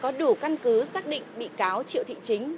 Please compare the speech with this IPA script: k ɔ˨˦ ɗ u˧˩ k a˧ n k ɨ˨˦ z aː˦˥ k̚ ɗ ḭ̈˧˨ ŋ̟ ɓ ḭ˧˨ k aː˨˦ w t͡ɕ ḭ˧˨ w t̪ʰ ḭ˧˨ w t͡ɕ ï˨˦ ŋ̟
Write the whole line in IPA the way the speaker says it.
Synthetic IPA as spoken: k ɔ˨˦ ɗ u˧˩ k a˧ n k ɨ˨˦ s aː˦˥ k̚ ɗ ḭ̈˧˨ ŋ̟ ɓ ḭ˧˨ k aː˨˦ w t͡ɕ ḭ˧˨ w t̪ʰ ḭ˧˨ t͡ɕ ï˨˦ ŋ̟